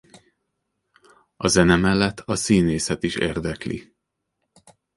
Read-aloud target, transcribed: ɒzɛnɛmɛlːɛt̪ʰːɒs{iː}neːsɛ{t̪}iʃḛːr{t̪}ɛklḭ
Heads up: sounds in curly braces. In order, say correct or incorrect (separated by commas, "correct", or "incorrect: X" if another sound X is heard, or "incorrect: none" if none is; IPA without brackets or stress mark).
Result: correct, correct, incorrect: d̪